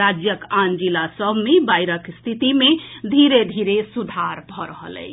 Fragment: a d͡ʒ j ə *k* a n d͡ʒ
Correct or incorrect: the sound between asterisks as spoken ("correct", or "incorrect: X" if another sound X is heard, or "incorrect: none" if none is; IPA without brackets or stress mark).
correct